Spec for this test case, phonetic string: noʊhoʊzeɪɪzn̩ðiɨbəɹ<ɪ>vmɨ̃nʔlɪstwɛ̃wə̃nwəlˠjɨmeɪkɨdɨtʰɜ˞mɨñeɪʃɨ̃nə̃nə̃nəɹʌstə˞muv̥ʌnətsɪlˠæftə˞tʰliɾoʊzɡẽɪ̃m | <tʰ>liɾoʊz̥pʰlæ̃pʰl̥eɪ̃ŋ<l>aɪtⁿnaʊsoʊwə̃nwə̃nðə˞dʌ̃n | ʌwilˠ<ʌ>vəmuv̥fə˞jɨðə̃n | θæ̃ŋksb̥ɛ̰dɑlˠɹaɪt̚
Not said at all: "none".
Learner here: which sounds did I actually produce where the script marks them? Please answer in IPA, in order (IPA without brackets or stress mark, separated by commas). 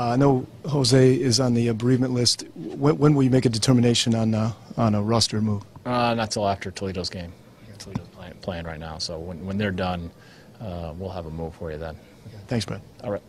i, tʰ, ɹ, ə